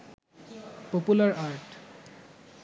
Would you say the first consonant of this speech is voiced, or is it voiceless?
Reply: voiceless